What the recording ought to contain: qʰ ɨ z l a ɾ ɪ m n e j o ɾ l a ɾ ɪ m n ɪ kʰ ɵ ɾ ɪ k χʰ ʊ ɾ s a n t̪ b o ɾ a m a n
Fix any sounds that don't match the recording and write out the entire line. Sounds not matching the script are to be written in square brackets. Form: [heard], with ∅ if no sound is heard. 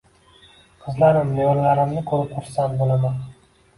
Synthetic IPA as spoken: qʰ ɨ z l a ɾ ɪ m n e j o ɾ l a ɾ ɪ m n ɪ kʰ ɵ ɾ ɪ [p] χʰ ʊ ɾ s a n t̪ b o [l] a m a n